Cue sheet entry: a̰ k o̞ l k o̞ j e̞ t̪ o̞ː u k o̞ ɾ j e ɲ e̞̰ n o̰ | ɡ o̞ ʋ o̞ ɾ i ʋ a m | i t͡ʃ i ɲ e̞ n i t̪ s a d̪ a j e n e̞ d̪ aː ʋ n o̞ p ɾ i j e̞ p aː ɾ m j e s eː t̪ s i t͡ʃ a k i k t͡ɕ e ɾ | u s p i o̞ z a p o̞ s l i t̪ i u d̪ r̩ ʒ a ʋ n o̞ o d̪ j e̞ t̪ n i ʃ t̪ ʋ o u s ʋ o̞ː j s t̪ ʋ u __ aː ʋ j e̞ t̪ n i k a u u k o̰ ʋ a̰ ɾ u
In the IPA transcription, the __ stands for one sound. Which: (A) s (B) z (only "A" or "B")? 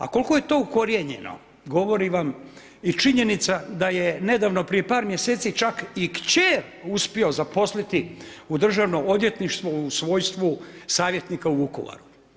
A